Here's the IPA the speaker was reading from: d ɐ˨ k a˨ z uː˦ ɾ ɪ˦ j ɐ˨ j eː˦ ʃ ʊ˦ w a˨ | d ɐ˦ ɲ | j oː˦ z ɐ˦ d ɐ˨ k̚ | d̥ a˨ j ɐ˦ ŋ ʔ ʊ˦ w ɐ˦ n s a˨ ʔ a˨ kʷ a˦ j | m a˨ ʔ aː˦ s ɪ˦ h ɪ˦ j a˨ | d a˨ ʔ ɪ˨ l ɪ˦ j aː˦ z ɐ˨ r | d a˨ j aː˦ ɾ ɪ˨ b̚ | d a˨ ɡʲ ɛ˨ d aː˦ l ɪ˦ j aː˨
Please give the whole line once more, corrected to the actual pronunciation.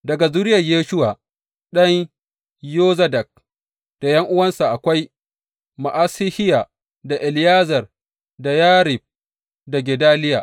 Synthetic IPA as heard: d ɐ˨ ɡ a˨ z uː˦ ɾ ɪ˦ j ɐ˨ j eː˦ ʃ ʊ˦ w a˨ | ɗ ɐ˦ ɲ | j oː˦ z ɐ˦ d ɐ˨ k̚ | d̥ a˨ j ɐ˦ ŋ ʔ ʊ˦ w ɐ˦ n s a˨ ʔ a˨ kʷ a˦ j | m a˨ ʔ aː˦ s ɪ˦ h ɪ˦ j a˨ | d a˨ ʔ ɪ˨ l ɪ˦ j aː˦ z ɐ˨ r | d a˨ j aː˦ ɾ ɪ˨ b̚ | d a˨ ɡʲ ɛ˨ d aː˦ l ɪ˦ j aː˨